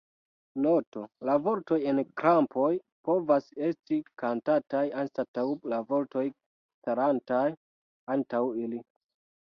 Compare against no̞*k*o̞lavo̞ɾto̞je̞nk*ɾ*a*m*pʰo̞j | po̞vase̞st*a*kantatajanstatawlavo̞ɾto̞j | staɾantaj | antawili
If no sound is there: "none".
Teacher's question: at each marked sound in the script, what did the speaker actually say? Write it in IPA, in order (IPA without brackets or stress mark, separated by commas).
t, ɾ, m, i